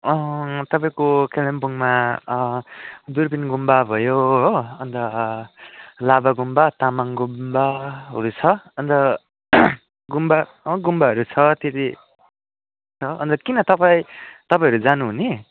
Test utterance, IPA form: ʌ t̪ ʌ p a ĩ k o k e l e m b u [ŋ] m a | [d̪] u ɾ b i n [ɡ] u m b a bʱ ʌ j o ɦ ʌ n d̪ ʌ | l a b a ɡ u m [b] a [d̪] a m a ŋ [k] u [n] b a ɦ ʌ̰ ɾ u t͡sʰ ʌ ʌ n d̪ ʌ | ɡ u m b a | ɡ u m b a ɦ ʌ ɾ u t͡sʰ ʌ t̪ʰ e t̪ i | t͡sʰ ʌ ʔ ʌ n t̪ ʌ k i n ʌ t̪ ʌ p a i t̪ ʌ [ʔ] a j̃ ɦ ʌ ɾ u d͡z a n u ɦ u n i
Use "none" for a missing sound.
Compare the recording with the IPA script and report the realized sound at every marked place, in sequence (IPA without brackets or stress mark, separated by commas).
ŋ, d̪, ɡ, b, t̪, ɡ, m, p